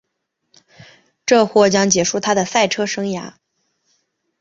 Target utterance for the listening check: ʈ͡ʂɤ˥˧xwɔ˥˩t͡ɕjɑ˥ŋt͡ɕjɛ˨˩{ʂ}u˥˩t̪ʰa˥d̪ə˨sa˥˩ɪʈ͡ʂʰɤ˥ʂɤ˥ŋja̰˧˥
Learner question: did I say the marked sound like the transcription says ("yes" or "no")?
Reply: yes